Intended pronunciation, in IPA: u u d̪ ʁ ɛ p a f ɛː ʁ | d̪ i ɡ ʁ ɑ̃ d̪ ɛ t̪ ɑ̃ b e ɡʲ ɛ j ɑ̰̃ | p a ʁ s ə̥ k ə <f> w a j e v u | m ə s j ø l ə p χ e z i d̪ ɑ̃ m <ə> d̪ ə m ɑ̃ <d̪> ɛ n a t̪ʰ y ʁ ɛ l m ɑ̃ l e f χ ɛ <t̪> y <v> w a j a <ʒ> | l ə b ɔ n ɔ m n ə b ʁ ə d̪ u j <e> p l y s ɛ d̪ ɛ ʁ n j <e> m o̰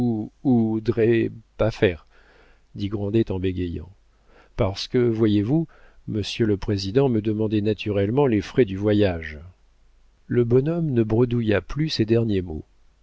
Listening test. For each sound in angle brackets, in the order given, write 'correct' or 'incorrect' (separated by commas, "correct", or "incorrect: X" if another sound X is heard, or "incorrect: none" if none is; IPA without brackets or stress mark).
incorrect: v, correct, correct, incorrect: d̪, correct, correct, incorrect: a, correct